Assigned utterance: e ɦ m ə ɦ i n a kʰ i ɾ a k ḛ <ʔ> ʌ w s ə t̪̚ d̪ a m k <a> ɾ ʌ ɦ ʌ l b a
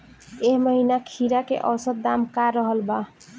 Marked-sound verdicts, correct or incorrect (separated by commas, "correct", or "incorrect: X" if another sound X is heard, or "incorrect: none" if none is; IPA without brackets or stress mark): correct, correct